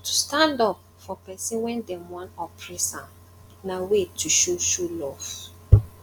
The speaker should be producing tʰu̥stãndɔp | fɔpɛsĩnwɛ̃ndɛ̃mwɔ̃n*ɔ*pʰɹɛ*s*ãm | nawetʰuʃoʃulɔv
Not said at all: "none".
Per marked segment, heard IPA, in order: ɔ, s

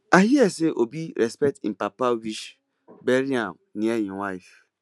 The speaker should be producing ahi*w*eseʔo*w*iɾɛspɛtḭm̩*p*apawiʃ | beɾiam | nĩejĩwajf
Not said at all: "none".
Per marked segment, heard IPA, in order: none, b, p

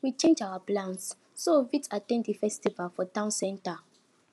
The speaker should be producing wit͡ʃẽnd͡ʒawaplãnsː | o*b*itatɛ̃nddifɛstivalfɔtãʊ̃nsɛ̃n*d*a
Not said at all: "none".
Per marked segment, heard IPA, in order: v, t

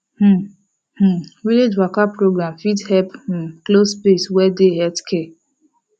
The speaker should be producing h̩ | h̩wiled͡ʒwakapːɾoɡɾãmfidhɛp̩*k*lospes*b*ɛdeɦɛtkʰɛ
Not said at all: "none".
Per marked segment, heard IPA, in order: k, w

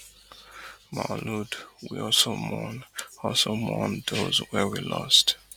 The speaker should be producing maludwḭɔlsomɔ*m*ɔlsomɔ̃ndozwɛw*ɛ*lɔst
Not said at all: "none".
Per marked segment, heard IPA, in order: n, i

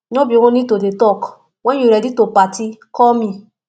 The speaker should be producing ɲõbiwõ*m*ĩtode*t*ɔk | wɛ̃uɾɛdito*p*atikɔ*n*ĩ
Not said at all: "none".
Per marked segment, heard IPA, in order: n, t, p, m

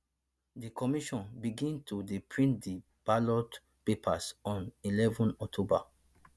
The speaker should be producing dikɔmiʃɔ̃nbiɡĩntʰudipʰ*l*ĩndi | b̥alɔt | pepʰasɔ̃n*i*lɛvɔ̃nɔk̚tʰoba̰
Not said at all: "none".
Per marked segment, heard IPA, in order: ɹ, i

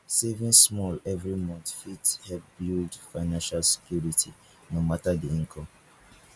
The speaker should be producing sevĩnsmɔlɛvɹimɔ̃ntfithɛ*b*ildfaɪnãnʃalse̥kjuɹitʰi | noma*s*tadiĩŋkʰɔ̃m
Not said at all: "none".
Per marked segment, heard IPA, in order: b, none

